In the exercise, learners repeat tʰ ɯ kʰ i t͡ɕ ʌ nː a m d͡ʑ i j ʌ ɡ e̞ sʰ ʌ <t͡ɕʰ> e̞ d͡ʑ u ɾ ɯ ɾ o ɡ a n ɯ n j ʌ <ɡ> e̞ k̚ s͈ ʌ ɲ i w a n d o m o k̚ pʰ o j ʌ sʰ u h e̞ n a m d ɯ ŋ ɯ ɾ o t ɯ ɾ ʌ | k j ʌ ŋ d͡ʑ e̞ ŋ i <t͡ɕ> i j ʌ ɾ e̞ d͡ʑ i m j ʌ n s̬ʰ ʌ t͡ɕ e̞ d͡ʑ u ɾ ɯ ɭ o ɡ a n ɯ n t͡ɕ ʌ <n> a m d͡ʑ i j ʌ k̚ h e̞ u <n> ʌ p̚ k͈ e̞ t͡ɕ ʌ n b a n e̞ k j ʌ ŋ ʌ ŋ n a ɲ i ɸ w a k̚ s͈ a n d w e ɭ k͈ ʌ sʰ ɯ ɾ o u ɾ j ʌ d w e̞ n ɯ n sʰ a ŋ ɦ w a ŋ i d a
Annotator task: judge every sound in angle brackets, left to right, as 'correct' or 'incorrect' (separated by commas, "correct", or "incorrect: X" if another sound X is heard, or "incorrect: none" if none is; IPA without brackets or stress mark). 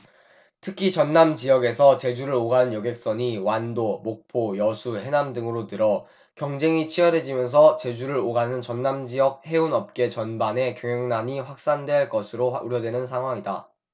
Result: incorrect: t͡ɕ, correct, incorrect: t͡ɕʰ, incorrect: nː, correct